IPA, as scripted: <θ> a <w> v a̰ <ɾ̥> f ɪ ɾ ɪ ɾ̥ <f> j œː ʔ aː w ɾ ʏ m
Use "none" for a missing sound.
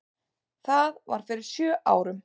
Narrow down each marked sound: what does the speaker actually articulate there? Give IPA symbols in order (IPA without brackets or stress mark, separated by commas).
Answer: θ, ɣ, ɾ̥, s